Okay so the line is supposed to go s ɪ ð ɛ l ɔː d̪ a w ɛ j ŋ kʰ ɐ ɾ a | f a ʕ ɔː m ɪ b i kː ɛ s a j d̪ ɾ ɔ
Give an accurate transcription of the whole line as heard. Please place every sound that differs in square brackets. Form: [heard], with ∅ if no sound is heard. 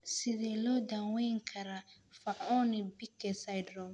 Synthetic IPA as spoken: s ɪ ð ɛ l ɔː d̪ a w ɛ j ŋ kʰ ɐ ɾ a | f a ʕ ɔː [n] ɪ b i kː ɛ s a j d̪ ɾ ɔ